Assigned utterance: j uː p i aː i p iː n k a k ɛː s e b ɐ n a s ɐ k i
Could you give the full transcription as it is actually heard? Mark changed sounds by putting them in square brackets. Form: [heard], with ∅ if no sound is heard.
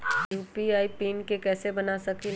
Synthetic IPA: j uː p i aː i p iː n k [e] k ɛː s e b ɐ n a s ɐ k i